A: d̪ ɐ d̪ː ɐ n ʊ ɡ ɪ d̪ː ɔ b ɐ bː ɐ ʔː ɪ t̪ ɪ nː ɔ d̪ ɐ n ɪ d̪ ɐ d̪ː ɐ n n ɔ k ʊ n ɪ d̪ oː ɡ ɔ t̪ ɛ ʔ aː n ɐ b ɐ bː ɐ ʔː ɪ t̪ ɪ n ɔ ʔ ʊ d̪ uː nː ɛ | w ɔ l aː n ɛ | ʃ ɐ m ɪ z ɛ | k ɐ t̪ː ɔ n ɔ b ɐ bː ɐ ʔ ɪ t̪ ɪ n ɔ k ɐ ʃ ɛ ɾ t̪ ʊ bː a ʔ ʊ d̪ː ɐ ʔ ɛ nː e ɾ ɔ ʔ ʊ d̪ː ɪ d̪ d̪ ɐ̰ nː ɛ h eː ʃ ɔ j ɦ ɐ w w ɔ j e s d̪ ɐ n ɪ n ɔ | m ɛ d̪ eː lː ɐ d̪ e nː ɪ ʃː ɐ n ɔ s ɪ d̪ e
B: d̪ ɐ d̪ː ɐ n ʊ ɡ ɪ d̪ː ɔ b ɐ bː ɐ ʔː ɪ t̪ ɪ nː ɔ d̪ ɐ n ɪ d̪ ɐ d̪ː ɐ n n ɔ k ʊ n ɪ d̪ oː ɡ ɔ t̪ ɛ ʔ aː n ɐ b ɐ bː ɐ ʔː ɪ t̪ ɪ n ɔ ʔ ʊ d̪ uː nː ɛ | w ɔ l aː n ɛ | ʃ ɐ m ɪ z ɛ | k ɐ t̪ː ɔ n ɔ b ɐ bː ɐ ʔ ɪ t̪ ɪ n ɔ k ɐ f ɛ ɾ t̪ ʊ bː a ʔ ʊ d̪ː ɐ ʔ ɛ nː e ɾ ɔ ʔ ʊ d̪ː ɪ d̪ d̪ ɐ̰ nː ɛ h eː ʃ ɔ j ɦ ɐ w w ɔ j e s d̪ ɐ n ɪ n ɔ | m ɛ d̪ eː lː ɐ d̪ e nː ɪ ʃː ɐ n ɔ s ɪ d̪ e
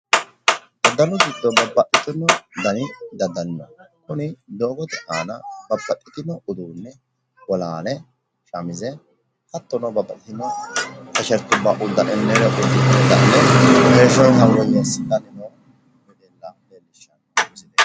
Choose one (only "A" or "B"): A